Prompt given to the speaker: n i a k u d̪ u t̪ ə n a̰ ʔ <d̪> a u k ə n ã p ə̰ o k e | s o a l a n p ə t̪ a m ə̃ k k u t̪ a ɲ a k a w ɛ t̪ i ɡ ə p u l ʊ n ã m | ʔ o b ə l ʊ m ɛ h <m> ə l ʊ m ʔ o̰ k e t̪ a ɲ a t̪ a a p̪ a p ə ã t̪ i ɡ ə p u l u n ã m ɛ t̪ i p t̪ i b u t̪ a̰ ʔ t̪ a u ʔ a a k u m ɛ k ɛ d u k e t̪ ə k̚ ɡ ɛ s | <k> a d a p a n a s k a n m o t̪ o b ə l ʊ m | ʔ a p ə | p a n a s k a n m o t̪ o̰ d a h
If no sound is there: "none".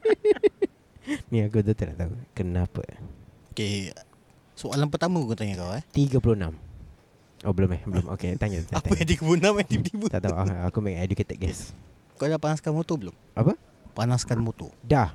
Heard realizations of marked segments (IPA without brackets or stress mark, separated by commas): t̪, b, k